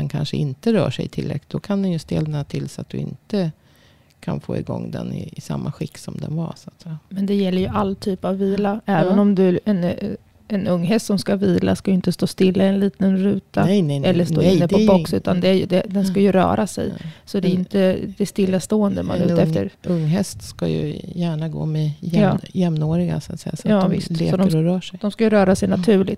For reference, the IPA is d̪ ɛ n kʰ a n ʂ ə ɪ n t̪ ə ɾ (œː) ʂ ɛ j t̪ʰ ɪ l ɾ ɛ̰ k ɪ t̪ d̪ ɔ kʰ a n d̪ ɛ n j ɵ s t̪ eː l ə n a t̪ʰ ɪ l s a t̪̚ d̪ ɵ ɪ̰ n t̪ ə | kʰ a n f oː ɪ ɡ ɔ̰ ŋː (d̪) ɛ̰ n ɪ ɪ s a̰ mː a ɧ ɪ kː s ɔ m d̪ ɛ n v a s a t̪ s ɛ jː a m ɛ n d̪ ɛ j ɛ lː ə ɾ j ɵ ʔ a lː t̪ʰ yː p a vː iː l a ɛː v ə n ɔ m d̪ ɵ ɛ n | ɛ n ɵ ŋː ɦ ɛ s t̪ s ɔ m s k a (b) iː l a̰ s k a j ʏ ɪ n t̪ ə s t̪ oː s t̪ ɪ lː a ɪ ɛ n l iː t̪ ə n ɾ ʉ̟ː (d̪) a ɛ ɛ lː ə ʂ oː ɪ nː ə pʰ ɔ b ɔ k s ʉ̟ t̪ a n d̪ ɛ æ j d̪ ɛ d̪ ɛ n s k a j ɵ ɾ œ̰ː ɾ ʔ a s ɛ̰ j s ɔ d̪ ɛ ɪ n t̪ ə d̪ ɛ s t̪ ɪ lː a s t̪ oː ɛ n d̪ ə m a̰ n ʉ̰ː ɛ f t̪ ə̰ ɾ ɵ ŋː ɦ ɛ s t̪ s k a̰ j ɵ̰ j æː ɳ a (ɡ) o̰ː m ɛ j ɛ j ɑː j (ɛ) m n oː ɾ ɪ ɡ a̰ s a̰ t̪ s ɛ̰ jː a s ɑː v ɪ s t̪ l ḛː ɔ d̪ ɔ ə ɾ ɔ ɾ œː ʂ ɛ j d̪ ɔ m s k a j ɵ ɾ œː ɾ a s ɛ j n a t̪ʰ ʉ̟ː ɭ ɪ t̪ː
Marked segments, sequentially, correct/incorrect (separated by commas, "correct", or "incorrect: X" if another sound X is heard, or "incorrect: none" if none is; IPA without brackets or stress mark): correct, correct, incorrect: v, incorrect: t̪, correct, correct